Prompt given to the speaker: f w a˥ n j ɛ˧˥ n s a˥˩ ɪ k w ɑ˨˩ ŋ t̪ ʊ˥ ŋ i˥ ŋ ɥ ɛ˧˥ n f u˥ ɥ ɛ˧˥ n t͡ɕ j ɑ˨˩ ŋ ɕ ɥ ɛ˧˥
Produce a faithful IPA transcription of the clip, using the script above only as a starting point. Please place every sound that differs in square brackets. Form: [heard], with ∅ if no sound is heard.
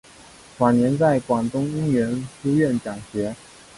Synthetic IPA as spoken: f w [a˨˩] n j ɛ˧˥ n [t͡s] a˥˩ ɪ k w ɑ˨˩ ŋ t̪ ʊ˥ ŋ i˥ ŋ ɥ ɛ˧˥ n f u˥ ɥ [ɛ˥˩] n t͡ɕ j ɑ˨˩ ŋ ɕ ɥ ɛ˧˥